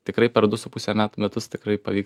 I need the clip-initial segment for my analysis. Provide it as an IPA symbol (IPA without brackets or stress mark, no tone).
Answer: t̪ʲ